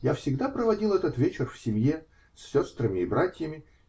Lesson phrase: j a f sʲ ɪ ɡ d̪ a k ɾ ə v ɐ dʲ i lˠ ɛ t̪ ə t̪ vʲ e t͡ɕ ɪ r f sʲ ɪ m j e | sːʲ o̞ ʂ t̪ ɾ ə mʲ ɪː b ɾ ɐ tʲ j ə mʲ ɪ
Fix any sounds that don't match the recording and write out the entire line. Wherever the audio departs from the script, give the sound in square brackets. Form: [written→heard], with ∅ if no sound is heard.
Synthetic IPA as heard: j a f sʲ ɪ ɡ d̪ a [k→p] ɾ ə v ɐ dʲ i lˠ ɛ t̪ ə t̪ vʲ e t͡ɕ ɪ r f sʲ ɪ m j e | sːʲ o̞ [ʂ→s] t̪ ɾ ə mʲ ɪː b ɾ [ɐ→a] tʲ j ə mʲ ɪ